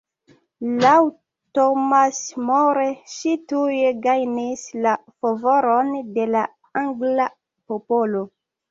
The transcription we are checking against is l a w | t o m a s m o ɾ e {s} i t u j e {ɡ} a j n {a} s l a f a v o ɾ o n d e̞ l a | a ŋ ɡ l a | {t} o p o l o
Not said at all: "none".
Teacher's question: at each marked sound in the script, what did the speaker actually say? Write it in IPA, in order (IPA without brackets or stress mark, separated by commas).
ʃ, ɡ, i, p